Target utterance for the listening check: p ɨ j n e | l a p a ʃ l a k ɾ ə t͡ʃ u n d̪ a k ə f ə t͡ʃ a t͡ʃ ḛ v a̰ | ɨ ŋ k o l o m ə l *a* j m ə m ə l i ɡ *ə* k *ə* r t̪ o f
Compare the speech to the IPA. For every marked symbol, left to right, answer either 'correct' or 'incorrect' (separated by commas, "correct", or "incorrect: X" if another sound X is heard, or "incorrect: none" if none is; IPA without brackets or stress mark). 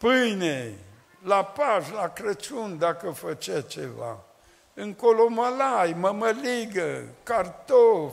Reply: correct, correct, incorrect: a